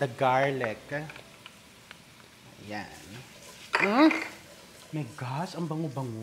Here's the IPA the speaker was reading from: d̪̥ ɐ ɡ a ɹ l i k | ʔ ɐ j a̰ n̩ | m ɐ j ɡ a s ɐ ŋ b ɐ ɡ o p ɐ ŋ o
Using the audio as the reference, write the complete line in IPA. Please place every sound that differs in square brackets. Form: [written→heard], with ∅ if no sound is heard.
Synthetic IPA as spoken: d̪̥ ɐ ɡ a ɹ l [i→ɛ] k | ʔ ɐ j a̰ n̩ | m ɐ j ɡ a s ɐ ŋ b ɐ [ɡ→ŋ] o [p→b] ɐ ŋ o